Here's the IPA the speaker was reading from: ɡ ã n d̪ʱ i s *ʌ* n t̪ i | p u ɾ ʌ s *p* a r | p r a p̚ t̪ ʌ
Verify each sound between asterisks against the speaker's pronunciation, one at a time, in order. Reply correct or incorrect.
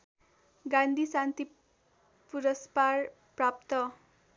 incorrect: a, correct

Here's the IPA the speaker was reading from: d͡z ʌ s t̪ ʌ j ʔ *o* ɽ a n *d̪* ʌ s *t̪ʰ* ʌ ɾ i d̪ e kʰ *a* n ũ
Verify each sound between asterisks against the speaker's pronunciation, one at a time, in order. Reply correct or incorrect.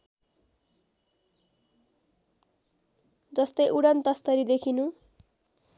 incorrect: u, incorrect: t̪, incorrect: t̪, incorrect: i

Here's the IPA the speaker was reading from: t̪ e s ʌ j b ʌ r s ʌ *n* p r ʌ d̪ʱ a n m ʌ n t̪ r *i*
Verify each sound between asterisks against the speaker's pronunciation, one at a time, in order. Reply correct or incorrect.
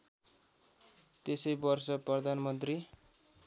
incorrect: none, correct

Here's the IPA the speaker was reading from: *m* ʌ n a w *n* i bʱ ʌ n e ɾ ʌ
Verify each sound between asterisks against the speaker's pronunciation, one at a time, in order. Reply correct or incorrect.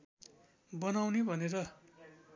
incorrect: b, correct

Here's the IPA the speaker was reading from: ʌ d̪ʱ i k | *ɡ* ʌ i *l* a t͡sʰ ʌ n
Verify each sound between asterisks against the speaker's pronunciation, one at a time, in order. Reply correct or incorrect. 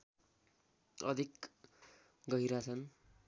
correct, incorrect: ɾ

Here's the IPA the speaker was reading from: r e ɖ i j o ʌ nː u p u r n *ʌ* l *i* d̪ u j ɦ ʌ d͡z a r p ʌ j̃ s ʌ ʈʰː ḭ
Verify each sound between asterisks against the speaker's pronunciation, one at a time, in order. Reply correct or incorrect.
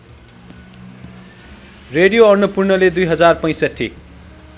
correct, incorrect: e

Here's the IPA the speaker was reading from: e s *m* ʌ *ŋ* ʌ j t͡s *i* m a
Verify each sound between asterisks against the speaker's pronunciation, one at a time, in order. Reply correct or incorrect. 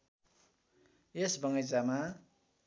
incorrect: b, correct, incorrect: a

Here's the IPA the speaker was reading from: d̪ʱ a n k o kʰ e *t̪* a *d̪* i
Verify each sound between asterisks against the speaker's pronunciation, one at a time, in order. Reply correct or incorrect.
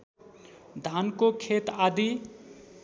correct, correct

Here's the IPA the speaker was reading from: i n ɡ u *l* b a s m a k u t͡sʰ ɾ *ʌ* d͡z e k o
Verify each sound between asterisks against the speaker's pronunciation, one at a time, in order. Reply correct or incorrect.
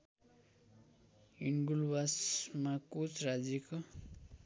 correct, incorrect: a

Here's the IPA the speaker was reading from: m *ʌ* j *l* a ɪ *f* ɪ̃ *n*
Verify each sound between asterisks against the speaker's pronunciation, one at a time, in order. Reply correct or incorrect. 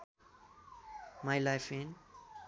incorrect: a, correct, correct, correct

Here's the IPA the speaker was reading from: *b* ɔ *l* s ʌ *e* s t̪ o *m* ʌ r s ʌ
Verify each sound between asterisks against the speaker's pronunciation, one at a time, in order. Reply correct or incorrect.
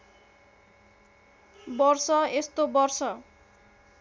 correct, incorrect: r, correct, incorrect: b

